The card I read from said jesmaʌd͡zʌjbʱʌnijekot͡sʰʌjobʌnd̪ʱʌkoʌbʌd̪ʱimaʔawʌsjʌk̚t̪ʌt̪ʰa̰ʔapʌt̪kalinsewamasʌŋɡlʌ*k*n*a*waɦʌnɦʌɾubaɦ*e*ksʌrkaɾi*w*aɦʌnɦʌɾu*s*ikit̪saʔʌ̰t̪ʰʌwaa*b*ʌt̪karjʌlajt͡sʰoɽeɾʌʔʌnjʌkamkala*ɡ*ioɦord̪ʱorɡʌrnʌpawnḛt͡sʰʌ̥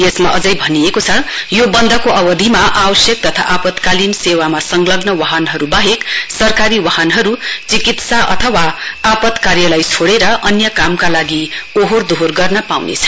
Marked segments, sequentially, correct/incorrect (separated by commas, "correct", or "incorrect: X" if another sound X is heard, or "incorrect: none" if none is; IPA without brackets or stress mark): incorrect: ɡ, incorrect: ʌ, correct, correct, incorrect: t͡s, incorrect: p, correct